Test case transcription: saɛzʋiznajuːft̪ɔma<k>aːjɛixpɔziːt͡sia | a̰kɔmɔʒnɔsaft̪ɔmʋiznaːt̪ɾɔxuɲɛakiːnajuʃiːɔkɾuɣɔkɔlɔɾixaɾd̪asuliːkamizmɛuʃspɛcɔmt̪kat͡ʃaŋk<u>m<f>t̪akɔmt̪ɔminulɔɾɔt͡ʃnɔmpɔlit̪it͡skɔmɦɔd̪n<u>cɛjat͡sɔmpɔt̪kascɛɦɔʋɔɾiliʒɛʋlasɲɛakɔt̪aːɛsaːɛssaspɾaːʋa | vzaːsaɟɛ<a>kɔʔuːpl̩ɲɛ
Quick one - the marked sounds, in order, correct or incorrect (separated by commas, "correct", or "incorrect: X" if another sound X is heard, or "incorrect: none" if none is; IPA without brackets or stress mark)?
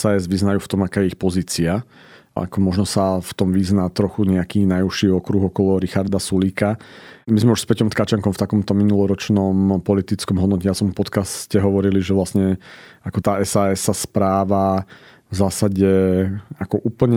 correct, incorrect: ɔ, correct, incorrect: ɔ, correct